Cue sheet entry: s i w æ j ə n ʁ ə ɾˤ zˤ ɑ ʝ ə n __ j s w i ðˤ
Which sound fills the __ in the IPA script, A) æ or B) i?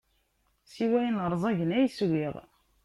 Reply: A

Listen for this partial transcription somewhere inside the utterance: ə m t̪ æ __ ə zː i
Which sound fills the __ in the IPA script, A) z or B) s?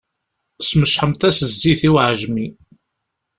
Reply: B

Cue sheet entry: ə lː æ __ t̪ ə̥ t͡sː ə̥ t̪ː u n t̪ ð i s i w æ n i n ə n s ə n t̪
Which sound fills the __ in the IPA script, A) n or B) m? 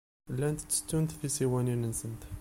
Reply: A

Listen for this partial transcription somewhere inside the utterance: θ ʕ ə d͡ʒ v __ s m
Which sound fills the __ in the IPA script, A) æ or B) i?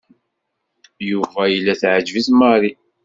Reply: B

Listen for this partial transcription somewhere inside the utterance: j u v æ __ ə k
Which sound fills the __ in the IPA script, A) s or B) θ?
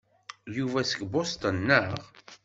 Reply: A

